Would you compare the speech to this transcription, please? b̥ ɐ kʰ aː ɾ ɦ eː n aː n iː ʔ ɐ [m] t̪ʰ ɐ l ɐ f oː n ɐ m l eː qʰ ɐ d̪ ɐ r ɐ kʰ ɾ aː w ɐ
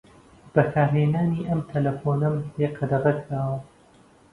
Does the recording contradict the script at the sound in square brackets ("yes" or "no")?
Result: no